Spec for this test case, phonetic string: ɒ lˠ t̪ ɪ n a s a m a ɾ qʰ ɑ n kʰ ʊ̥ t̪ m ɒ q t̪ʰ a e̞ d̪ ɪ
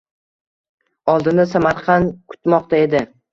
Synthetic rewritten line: ɒ lˠ d̪ ɪ n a s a m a ɾ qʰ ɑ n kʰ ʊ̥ t̪ m ɒ q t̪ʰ a e̞ d̪ ɪ